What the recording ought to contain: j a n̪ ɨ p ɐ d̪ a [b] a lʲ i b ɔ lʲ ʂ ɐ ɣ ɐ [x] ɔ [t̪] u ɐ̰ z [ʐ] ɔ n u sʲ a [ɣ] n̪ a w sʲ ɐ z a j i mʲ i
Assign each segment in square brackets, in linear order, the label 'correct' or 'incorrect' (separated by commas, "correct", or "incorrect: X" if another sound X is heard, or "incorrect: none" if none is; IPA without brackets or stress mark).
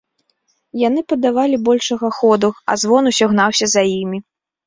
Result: incorrect: v, correct, incorrect: d̪, incorrect: v, correct